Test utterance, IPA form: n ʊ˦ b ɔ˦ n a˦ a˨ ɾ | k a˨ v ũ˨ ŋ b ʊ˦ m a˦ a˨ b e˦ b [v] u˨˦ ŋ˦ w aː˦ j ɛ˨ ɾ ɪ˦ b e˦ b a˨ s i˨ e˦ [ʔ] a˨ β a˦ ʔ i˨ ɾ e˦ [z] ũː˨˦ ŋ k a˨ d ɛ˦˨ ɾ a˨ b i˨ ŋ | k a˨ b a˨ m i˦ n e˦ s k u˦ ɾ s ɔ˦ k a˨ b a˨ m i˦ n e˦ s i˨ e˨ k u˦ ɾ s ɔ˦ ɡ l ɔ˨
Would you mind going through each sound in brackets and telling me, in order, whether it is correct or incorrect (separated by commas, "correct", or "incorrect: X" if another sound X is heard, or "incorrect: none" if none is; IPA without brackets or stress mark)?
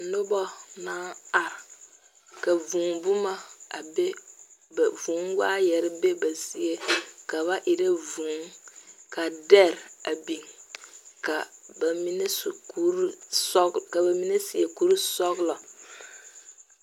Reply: correct, incorrect: k, incorrect: v